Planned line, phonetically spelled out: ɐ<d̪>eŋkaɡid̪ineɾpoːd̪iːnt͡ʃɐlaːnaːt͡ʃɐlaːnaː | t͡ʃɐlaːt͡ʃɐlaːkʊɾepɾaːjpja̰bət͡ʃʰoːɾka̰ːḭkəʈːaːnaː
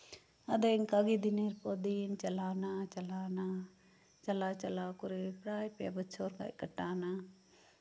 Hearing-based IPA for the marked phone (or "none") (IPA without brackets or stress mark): d̪